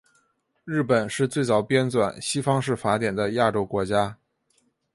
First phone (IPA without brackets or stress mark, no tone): ɻ